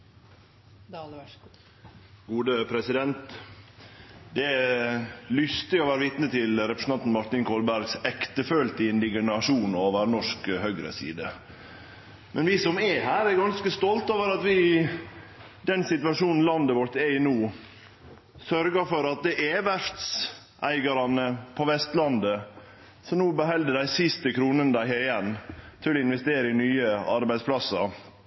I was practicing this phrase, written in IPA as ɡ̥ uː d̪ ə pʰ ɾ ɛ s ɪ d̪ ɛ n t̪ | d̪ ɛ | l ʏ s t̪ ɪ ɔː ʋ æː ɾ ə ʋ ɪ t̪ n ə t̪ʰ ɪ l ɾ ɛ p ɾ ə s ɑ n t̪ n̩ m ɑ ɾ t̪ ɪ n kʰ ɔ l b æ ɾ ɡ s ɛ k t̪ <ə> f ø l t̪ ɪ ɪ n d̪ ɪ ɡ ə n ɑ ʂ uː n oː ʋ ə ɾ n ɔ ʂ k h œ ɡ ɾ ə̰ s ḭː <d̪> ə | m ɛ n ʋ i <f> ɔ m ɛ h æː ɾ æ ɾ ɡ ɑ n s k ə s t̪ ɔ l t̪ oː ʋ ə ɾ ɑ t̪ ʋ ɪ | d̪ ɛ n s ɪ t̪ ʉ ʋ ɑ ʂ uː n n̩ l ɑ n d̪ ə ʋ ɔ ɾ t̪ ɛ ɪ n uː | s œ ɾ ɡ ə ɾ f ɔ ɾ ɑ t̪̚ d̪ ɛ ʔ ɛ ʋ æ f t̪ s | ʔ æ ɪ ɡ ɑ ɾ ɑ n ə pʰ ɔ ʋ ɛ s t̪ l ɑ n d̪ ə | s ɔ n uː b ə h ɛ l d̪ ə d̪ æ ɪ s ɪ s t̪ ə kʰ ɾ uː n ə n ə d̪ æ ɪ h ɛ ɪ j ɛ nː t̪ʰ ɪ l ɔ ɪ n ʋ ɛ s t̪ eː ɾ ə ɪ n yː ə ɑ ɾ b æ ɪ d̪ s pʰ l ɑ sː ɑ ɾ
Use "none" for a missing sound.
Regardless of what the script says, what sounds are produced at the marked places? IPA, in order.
ə, d̪, s

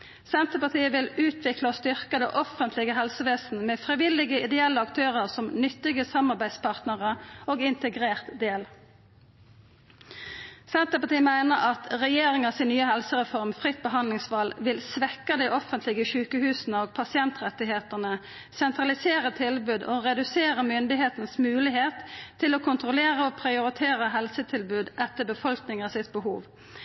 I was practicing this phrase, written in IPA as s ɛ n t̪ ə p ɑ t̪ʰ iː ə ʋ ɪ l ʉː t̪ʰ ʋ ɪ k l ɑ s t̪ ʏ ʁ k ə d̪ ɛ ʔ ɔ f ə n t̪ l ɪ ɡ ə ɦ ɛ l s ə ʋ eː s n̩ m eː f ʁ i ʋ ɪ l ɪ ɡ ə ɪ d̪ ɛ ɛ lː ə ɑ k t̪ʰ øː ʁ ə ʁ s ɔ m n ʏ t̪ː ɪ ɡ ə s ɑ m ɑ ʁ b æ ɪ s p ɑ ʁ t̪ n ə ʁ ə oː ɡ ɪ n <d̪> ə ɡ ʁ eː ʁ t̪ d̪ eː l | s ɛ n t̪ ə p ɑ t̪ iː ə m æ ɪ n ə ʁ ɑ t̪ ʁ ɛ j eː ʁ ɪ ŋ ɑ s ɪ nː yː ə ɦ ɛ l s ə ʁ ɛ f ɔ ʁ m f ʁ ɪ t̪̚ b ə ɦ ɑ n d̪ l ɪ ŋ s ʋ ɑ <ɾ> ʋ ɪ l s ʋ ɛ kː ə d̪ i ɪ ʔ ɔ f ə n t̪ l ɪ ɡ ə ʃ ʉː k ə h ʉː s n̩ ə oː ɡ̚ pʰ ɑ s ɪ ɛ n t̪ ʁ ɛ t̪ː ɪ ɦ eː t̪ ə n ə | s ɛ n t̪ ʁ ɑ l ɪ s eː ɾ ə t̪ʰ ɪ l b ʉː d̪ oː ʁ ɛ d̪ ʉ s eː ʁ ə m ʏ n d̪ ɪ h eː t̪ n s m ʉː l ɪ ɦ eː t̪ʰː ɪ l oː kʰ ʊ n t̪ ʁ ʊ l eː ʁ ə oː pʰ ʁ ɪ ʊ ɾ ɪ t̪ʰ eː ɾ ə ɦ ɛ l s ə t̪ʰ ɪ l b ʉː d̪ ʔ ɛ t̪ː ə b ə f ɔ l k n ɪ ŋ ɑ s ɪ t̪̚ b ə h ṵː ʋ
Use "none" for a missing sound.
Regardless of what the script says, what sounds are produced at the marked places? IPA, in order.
t̪, l

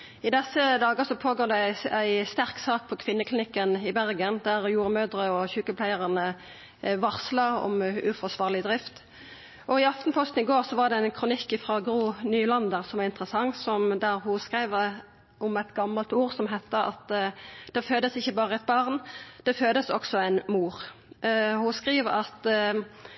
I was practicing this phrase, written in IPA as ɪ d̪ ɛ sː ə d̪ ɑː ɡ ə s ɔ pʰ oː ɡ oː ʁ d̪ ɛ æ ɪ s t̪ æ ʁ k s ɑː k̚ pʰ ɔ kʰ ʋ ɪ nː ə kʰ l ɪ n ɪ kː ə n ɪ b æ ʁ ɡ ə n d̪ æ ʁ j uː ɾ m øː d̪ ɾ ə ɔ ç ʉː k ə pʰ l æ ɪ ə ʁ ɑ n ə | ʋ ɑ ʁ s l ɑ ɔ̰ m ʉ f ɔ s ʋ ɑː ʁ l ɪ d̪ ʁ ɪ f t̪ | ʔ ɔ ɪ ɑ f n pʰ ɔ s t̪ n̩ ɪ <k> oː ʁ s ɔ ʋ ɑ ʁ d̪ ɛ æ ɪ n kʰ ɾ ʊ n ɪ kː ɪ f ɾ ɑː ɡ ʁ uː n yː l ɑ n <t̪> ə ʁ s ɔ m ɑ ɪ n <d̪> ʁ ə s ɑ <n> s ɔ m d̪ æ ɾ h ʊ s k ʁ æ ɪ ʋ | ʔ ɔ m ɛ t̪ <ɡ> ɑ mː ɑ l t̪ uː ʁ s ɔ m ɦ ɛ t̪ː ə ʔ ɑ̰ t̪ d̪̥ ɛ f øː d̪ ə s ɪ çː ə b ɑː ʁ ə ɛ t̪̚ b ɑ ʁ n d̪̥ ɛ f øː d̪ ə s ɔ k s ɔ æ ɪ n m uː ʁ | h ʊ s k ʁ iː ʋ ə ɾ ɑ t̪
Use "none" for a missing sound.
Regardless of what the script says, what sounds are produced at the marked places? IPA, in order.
ɡ, d̪, t̪, ŋ, ɡ

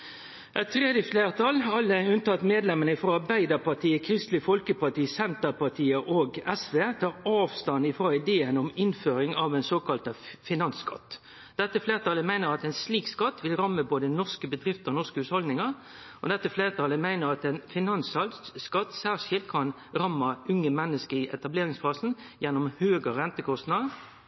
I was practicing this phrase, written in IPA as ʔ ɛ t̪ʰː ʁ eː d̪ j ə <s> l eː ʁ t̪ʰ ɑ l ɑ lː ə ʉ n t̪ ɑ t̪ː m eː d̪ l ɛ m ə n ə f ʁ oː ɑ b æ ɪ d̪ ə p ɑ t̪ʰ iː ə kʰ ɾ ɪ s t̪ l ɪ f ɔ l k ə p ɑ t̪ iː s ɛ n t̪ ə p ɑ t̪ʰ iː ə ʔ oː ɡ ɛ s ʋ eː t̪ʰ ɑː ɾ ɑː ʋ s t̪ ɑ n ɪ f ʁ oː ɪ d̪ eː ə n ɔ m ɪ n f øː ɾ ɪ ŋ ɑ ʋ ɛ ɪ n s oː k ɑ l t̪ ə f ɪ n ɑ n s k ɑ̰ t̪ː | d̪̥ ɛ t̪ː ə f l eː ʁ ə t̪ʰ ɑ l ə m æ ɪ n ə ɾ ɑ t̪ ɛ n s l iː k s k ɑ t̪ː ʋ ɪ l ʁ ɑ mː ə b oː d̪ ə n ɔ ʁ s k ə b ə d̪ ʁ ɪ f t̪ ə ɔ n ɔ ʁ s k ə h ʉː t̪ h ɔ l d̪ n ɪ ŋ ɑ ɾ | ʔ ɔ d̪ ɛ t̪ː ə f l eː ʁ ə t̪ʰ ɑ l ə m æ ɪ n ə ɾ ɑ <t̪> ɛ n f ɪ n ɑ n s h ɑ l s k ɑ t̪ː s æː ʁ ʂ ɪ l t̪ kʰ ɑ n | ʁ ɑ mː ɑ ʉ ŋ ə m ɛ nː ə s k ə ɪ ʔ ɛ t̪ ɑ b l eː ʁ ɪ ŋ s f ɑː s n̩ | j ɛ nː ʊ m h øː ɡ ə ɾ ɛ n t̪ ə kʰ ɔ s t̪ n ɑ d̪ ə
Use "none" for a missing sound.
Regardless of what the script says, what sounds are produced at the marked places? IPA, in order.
f, t̪

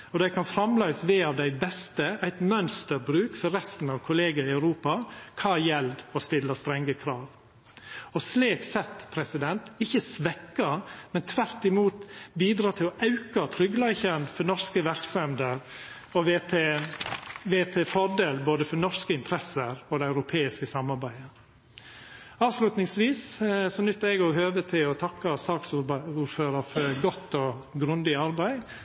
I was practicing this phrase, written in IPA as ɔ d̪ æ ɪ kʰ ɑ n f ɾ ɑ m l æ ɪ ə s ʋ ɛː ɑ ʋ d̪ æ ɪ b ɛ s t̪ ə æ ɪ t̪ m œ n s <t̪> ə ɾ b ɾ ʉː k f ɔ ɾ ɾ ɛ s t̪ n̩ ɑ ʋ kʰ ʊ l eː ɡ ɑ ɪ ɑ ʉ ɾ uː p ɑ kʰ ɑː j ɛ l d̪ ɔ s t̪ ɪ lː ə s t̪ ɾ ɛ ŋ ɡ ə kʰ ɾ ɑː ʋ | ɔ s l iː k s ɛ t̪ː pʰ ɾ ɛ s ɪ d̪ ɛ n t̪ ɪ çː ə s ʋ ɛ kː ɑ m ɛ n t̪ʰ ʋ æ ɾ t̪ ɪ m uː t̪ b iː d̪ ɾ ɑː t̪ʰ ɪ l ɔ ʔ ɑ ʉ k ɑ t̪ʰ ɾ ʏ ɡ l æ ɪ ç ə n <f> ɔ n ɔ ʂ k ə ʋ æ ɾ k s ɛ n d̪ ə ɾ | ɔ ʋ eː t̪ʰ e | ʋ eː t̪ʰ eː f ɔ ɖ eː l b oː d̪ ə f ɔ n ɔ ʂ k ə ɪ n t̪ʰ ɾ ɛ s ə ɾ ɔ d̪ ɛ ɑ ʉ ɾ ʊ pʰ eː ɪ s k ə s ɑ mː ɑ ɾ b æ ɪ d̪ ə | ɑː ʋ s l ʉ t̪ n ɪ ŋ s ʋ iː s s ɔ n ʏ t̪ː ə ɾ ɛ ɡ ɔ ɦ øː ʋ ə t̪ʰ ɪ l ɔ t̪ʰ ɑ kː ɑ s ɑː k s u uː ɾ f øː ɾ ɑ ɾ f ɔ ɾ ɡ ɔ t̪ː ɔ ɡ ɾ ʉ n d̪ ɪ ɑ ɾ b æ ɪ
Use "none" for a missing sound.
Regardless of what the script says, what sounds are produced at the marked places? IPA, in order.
t̪, f

